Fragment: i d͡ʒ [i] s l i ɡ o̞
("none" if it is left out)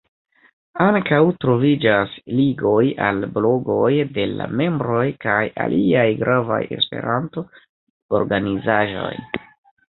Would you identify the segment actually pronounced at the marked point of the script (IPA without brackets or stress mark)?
a